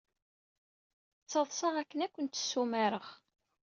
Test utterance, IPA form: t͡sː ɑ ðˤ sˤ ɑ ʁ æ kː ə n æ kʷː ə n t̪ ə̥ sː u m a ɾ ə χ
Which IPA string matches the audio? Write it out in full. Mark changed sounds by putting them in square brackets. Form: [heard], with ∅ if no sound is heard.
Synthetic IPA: t͡sː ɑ ðˤ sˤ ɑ ʁ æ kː ə n æ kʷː ə n t̪ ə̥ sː u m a ɾ ə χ